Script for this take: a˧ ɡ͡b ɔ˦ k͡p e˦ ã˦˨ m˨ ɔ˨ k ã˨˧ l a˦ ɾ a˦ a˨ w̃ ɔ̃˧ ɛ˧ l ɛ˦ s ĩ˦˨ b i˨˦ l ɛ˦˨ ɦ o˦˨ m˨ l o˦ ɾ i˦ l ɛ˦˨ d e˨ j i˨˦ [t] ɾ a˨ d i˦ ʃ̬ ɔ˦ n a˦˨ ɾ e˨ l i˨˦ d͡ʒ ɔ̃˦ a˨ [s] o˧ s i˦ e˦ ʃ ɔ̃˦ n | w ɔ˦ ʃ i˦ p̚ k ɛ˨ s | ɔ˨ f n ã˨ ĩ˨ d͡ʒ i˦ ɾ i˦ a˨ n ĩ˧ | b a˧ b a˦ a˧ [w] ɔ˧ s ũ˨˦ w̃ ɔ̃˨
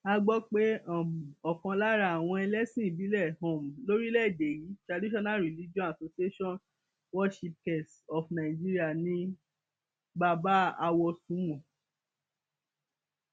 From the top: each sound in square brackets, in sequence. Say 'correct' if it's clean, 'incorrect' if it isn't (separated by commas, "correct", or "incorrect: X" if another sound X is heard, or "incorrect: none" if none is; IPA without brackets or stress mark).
correct, correct, correct